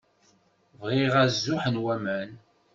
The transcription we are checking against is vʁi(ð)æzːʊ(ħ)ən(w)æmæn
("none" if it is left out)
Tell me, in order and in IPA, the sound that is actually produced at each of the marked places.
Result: ʁ, ħ, w

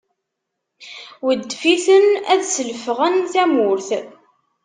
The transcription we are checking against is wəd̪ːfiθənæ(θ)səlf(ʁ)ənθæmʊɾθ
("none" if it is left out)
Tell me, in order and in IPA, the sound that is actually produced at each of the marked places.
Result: ð, ʁ

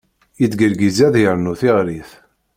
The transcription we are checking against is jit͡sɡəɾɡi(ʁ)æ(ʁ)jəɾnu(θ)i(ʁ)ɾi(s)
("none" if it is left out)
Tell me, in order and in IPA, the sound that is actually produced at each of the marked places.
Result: z, ð, θ, ʁ, θ

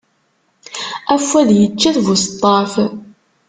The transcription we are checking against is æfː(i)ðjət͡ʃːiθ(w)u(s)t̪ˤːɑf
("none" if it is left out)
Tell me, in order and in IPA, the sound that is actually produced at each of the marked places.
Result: æ, v, s

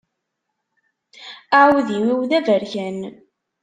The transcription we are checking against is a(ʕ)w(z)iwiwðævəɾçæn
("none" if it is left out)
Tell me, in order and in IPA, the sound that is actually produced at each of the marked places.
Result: ʕ, ð

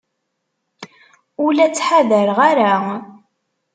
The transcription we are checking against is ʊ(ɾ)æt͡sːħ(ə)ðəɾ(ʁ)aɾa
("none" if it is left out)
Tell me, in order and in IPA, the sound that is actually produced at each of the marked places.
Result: l, a, ʁ

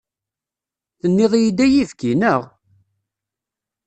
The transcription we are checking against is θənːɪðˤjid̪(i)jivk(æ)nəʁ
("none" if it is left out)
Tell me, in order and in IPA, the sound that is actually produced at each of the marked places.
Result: æ, i

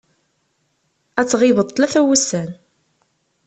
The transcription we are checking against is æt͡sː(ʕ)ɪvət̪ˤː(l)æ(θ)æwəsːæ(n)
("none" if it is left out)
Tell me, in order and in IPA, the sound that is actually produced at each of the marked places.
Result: ʁ, l, θ, n

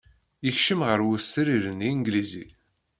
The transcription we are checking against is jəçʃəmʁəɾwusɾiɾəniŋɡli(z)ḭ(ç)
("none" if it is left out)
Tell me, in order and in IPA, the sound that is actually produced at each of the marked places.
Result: z, none

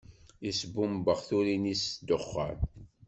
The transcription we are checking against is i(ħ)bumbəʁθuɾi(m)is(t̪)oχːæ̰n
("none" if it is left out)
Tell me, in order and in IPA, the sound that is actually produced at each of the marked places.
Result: s, n, d̪

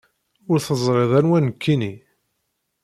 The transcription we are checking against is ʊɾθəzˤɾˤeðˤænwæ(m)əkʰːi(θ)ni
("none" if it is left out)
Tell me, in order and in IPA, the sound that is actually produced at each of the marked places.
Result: n, none

